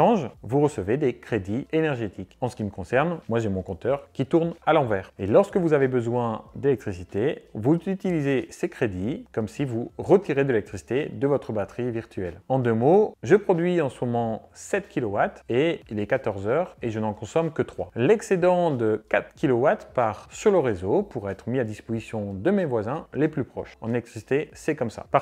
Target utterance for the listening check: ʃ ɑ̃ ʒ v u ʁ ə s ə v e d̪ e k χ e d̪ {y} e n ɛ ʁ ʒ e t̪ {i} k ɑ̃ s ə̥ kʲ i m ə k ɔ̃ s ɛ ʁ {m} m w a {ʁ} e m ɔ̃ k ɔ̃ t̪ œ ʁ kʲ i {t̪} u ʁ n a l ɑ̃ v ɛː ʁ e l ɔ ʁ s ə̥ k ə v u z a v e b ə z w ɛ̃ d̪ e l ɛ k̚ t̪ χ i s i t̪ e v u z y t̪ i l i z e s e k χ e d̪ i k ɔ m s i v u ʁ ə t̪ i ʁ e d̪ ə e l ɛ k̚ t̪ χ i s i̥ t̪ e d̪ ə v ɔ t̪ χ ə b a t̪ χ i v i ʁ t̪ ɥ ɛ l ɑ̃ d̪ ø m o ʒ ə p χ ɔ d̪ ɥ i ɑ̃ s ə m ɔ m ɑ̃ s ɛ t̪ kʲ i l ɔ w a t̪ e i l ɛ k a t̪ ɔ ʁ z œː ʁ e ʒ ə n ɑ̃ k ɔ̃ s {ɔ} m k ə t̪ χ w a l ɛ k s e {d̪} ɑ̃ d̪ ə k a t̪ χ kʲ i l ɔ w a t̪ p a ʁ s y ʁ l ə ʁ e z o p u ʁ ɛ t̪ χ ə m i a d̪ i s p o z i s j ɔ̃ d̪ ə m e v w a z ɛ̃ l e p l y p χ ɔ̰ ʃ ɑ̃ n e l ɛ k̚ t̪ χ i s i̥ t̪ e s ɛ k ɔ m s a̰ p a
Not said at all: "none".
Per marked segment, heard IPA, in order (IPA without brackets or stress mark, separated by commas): i, i, n, ʒ, t̪, ɔ, d̪